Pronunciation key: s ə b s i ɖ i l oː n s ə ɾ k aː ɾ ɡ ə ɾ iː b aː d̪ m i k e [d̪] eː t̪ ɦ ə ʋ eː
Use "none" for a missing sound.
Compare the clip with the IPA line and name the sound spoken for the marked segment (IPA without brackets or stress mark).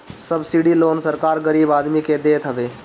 d̪